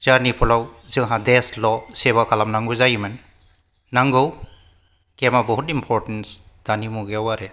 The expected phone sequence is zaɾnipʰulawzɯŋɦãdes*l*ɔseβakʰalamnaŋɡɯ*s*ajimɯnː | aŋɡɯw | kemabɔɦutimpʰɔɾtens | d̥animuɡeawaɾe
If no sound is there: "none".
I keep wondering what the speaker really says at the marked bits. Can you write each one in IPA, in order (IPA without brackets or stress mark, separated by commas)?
l, z